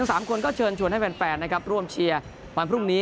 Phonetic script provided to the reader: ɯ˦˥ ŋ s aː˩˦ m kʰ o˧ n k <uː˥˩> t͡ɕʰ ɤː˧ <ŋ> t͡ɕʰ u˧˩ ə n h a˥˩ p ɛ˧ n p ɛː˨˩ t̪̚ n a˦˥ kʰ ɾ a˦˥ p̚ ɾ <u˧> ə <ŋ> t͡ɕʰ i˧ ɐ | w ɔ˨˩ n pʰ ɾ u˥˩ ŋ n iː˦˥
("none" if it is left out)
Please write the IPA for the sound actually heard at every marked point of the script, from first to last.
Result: ɔː˥˩, n, u˥˩, m

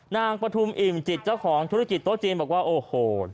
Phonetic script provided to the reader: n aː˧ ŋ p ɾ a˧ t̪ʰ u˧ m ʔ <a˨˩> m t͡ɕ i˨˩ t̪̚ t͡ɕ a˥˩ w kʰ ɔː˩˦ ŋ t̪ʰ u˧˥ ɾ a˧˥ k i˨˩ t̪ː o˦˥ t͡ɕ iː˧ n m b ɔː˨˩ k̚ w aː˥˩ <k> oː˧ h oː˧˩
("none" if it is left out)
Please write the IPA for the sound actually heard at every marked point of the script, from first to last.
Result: i˨˩, ʔ

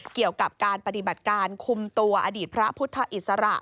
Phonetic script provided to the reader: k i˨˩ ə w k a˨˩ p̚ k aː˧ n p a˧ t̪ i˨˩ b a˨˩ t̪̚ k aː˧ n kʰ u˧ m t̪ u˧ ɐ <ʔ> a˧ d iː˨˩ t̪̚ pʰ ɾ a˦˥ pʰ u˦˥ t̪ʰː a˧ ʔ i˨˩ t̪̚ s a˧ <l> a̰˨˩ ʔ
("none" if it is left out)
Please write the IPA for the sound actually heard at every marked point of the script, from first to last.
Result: ʔ, ɾ

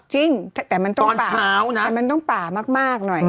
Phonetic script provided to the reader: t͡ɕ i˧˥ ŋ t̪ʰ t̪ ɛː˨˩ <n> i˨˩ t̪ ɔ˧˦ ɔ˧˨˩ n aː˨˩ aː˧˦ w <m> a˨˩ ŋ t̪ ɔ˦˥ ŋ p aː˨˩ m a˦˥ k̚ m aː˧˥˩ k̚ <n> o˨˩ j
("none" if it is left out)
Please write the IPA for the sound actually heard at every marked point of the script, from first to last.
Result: m, m, n

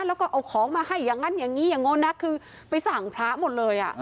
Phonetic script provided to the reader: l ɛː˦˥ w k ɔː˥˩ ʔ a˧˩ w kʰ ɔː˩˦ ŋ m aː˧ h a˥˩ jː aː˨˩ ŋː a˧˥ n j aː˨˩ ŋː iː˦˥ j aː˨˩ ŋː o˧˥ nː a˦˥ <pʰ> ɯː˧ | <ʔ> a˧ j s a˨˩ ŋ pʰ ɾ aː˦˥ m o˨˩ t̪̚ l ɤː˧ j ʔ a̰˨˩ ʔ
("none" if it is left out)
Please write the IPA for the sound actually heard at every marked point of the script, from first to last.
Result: kʰ, p

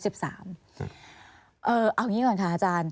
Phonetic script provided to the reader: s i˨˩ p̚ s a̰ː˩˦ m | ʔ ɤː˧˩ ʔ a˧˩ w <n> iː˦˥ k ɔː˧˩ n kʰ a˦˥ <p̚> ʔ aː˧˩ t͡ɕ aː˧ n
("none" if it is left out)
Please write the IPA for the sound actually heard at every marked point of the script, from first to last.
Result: ŋ, none

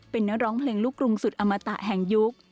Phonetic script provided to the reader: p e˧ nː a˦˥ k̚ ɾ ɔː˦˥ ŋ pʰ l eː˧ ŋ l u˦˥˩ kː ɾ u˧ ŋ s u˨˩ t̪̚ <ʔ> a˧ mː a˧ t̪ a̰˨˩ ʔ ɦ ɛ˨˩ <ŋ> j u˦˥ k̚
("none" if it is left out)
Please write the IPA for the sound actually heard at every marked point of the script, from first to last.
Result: ʔ, ŋ

